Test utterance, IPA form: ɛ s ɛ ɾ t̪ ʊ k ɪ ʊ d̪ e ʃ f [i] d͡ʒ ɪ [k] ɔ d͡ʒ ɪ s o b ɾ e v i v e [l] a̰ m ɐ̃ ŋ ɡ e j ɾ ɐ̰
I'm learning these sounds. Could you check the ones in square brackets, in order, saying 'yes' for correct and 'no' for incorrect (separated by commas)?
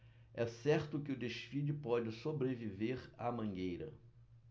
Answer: yes, no, no